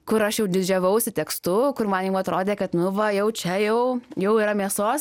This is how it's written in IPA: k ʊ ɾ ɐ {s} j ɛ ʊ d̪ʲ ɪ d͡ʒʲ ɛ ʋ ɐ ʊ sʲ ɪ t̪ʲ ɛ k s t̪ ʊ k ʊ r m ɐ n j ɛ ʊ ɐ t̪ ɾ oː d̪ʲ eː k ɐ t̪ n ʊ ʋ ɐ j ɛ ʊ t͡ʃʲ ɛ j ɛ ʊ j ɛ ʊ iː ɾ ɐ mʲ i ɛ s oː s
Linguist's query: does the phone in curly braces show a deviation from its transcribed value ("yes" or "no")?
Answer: yes